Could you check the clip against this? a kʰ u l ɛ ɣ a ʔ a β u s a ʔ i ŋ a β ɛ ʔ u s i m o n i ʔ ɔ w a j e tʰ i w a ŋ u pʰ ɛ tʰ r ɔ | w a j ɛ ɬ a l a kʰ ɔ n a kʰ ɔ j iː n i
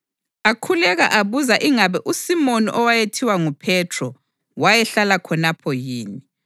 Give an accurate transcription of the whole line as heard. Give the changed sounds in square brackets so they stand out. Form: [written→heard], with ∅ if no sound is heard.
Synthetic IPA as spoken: a kʰ u l ɛ ɣ a ʔ a β u [s→z] a ʔ i ŋ a β ɛ ʔ u s i m o n i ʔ ɔ w a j e tʰ i w a ŋ u pʰ ɛ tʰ r ɔ | w a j ɛ ɬ a l a kʰ ɔ n a [kʰ→pʰ] ɔ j iː n i